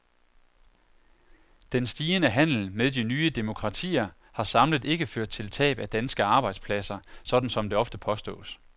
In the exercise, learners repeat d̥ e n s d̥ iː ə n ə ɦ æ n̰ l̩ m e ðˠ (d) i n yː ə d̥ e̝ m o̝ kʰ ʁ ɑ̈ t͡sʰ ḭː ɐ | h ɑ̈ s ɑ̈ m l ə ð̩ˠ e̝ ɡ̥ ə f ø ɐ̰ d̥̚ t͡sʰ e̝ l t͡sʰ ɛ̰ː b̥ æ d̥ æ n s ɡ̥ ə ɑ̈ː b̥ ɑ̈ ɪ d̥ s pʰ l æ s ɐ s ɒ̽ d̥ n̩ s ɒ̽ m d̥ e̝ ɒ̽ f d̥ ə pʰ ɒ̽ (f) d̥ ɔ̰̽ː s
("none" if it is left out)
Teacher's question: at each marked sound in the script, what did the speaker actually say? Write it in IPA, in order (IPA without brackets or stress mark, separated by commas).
d, s